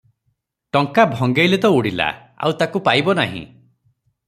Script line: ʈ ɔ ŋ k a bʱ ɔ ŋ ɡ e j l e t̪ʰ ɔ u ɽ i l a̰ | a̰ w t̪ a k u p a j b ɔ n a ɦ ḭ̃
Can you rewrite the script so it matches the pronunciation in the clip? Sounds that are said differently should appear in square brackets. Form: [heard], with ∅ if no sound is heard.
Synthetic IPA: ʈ ɔ ŋ k a bʱ ɔ ŋ ɡ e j l e [t̪] ɔ u ɽ i l a̰ | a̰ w t̪ a k u p a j b ɔ n a ɦ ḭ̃